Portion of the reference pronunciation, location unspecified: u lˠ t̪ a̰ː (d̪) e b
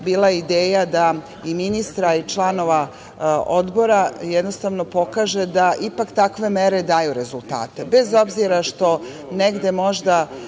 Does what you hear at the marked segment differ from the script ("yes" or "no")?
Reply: yes